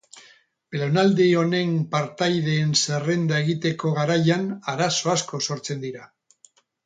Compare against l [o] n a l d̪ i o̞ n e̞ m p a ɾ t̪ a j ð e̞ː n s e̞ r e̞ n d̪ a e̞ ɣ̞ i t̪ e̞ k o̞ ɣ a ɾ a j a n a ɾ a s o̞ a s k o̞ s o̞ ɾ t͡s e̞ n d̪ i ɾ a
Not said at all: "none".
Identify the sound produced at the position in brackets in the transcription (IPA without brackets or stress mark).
o